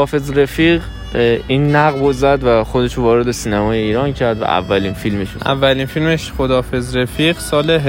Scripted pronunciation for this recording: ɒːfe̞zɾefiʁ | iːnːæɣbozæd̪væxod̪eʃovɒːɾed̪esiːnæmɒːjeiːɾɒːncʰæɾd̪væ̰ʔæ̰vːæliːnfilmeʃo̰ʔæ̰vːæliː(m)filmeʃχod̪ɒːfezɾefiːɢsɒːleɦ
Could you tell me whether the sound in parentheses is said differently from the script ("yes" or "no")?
yes